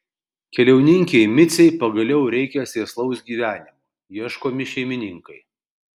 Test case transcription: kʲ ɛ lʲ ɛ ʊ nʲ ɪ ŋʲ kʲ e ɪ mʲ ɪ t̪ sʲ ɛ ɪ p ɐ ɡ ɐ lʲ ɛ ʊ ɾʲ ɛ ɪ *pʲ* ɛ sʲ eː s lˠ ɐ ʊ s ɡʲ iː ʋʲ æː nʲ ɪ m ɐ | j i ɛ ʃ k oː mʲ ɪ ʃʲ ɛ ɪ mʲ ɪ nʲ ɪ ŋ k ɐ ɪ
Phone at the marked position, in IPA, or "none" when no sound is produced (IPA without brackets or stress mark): kʲ